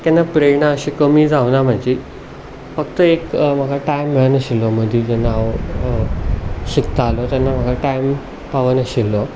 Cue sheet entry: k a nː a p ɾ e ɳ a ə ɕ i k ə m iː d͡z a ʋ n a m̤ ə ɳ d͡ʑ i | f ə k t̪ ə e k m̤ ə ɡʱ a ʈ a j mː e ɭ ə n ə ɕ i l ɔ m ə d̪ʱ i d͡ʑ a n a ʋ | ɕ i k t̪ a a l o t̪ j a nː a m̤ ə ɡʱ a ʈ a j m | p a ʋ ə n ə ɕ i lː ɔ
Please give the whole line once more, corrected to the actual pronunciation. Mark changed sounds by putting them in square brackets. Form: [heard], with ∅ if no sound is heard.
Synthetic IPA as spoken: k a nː a p ɾ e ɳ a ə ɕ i k ə m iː d͡z a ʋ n a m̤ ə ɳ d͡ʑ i | f ə k t̪ ə e k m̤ ə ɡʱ a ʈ a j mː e ɭ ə n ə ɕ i l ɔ m ə d̪ʱ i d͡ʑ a n a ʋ | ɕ i k t̪ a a l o t̪ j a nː a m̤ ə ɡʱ a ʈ a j m | p a ʋ ə n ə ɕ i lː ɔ